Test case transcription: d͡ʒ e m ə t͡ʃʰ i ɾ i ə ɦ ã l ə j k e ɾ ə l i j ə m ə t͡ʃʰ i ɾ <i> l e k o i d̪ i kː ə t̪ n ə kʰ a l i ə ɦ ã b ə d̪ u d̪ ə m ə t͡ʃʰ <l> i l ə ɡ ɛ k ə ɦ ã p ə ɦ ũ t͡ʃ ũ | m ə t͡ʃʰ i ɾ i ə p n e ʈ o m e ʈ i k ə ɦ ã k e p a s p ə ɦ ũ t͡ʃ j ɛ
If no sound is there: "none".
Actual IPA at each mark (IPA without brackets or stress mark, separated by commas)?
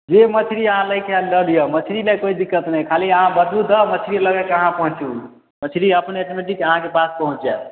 i, ɾ